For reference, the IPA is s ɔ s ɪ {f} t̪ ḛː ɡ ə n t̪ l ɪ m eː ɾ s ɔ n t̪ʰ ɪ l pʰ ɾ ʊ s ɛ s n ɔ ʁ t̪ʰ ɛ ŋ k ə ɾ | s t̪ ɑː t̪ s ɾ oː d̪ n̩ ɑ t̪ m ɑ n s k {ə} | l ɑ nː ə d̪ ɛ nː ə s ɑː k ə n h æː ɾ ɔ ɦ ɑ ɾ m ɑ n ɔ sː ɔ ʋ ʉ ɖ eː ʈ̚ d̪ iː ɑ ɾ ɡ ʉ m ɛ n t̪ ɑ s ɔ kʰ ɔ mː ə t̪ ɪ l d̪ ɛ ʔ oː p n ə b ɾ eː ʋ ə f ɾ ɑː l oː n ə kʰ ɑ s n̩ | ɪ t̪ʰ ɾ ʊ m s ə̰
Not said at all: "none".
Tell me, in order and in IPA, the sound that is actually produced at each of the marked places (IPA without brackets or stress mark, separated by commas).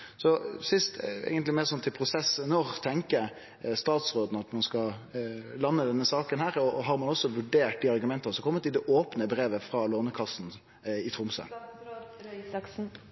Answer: s, ɑ